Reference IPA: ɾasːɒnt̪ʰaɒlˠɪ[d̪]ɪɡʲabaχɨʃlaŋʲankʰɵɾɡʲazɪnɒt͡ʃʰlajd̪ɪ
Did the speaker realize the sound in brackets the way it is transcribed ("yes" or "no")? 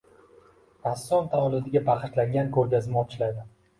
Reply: yes